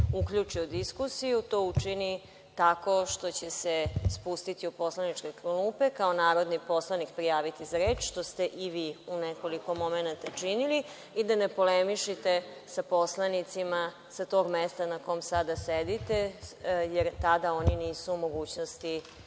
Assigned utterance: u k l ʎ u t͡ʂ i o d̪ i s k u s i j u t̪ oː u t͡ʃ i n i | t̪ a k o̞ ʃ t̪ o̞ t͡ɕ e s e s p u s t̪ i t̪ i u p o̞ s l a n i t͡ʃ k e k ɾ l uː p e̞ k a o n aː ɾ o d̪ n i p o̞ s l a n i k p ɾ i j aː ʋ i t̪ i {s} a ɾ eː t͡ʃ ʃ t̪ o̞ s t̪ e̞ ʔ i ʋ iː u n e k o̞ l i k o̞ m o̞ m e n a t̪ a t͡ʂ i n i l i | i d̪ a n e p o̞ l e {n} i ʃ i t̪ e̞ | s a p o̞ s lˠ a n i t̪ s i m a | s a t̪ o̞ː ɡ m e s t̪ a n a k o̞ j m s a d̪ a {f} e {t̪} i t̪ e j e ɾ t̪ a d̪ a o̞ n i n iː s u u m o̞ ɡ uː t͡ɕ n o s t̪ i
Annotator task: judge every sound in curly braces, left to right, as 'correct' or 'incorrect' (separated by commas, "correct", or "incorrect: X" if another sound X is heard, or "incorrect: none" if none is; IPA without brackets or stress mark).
incorrect: z, incorrect: m, incorrect: s, incorrect: d̪